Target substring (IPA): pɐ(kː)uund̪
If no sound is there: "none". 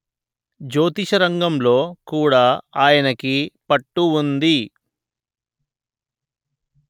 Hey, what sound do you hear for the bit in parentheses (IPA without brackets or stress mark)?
ʈː